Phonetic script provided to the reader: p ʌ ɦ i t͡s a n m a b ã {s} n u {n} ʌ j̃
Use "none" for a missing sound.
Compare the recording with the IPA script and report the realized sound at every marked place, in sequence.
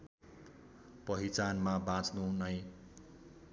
t͡s, n

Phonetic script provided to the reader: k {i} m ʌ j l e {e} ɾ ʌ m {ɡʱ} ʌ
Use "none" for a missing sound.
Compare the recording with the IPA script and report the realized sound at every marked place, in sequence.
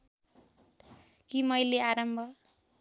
i, a, bʱ

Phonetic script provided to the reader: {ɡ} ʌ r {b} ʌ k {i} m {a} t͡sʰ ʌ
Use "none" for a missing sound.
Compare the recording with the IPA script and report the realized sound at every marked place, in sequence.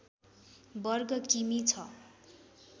b, ɡ, i, i

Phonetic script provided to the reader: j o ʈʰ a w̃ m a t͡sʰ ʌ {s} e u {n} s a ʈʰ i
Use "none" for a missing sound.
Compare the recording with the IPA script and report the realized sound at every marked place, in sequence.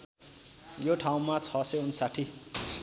s, n

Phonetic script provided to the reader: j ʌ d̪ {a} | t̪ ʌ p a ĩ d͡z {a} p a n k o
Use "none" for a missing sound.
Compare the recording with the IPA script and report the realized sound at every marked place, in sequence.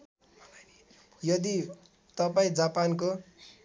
i, a

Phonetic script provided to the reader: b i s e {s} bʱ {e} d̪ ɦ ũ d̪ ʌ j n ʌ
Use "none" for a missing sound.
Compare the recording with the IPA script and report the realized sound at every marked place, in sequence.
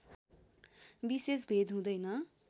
s, e

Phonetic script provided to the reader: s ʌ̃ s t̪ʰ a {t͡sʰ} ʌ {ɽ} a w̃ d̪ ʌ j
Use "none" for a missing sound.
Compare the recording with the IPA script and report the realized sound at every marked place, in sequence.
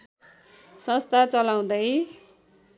t͡s, l

